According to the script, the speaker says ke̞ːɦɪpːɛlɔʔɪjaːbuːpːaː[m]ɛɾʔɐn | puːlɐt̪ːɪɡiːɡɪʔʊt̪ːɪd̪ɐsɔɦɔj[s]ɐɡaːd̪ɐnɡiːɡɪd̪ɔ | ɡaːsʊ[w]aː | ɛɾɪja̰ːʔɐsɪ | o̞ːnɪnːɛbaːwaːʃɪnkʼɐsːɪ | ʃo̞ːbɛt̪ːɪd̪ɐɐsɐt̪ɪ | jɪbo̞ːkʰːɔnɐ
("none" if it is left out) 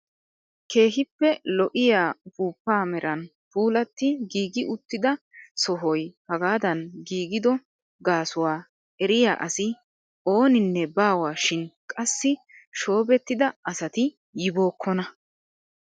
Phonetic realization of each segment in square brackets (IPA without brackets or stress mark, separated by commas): m, h, w